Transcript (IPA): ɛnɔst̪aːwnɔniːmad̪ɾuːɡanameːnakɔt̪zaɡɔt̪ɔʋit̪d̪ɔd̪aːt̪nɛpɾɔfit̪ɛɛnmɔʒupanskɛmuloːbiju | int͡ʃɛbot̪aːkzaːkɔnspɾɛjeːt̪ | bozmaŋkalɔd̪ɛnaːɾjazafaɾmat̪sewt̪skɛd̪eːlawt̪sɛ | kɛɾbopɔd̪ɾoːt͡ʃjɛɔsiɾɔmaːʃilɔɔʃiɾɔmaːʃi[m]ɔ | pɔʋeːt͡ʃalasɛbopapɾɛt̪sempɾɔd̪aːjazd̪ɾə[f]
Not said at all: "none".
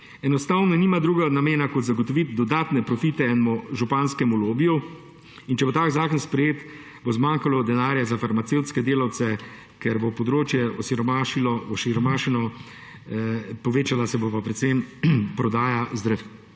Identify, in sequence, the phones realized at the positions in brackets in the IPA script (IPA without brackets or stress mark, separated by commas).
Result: n, f